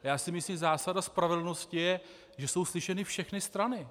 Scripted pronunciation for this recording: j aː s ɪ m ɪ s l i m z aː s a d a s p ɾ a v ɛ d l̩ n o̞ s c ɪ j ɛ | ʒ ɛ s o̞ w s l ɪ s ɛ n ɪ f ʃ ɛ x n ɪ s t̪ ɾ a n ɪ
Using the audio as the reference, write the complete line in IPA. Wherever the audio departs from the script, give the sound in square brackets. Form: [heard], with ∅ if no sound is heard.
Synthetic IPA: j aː s ɪ m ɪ s l i m z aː s a d a s p ɾ a v ɛ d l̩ n o̞ s c ɪ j ɛ | ʒ ɛ s o̞ w s l ɪ [ʃ] ɛ n ɪ f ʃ ɛ x n ɪ s t̪ ɾ a n ɪ